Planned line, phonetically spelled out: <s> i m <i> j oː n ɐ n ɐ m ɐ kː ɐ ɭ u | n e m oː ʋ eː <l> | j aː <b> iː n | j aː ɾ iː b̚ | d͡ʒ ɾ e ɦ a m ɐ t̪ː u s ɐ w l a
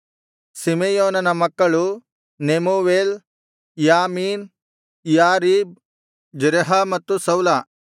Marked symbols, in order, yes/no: yes, no, yes, no

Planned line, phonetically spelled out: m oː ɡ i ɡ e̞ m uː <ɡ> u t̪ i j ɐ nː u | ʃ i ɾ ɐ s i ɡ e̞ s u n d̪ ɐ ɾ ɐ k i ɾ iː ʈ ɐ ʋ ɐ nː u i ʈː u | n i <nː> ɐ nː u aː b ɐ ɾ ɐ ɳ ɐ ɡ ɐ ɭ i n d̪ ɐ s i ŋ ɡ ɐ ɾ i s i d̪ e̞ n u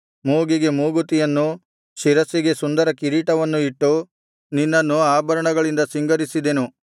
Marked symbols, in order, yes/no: yes, yes

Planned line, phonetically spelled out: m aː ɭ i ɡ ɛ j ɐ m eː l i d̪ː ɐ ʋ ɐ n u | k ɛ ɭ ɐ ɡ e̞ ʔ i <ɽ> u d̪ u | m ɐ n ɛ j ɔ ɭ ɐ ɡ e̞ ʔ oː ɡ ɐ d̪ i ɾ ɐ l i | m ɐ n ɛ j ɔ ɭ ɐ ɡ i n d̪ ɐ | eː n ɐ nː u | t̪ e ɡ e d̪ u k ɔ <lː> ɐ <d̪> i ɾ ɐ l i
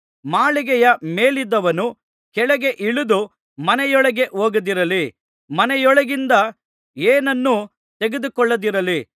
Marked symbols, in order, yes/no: no, no, yes

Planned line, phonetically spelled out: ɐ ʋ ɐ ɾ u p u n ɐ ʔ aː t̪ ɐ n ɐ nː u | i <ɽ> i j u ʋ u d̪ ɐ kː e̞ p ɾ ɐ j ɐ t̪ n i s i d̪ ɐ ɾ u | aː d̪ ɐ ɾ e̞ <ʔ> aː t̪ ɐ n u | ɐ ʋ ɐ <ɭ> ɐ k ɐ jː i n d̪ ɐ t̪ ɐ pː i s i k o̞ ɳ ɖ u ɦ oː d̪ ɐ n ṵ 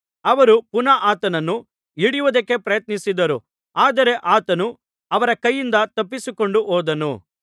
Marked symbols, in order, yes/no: yes, yes, no

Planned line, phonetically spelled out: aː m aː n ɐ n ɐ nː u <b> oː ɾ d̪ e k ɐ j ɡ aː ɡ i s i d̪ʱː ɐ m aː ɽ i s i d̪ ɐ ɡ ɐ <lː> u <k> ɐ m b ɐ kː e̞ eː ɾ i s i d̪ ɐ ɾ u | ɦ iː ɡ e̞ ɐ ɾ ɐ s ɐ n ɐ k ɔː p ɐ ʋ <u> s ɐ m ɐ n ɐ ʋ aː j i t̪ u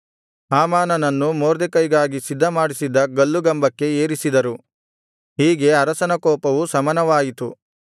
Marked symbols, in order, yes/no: no, yes, no, yes

